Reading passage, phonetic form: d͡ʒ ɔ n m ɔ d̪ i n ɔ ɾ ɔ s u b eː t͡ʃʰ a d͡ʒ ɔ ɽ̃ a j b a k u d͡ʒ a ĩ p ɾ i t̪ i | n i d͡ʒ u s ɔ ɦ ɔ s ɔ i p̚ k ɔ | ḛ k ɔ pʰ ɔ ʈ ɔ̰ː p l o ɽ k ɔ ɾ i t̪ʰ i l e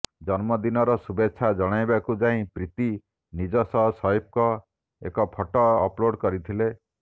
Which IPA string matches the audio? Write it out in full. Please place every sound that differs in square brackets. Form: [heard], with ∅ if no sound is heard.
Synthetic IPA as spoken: d͡ʒ ɔ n m ɔ d̪ i n ɔ ɾ ɔ s u b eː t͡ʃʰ a d͡ʒ ɔ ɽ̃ a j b a k u d͡ʒ a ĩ p ɾ i t̪ i | n i d͡ʒ [ɔ] s ɔ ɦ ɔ s ɔ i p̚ k ɔ | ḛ k ɔ pʰ ɔ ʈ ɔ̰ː p l o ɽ k ɔ ɾ i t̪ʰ i l e